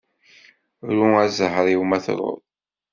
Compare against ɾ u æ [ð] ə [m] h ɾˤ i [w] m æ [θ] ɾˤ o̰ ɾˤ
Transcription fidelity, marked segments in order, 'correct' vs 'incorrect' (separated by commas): incorrect, incorrect, correct, correct